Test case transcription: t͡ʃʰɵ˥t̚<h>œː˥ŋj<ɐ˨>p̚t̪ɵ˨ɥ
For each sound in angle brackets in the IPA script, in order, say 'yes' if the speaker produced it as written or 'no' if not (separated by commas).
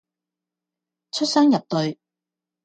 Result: no, yes